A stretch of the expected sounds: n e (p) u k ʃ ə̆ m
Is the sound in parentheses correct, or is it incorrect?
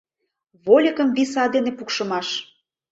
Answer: correct